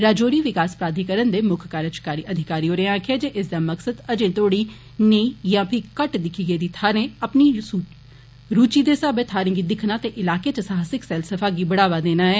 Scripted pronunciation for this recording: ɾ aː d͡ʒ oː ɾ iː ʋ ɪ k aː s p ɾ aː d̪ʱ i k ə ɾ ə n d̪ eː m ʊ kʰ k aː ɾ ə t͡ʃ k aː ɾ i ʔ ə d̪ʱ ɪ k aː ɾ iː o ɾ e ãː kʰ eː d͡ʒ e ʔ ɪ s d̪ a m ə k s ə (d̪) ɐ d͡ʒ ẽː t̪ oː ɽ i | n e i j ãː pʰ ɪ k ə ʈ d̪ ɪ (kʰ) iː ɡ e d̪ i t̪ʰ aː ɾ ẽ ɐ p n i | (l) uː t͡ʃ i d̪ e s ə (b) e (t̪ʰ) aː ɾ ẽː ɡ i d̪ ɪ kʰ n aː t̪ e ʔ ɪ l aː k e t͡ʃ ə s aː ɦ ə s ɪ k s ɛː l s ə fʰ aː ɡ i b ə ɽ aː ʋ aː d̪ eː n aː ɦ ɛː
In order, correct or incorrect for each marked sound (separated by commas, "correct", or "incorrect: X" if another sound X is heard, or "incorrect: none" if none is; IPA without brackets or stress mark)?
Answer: correct, correct, incorrect: ɾ, correct, correct